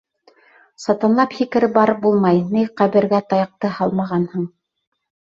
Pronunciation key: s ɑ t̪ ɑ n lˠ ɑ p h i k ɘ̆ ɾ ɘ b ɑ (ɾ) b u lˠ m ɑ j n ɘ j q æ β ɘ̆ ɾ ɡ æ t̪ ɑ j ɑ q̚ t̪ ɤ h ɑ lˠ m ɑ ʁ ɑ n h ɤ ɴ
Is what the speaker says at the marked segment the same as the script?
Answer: yes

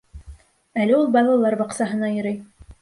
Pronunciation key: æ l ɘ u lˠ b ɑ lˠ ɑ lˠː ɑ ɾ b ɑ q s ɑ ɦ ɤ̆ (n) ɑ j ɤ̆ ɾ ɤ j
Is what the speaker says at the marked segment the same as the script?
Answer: yes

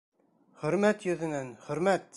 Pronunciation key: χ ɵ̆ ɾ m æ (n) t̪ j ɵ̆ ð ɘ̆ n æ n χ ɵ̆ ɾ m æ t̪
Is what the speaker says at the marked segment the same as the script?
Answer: no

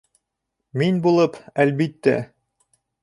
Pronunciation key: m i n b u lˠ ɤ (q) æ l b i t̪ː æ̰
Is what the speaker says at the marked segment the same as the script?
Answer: no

